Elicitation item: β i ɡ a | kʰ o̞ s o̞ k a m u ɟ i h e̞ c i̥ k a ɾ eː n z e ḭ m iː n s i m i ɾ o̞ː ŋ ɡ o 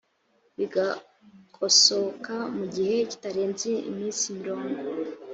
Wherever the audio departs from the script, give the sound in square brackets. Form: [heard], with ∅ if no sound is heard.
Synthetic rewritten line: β i ɡ a | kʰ o̞ s o̞ k a m u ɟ i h e̞ c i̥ [t] a ɾ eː n z e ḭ m iː n s i m i ɾ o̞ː ŋ ɡ o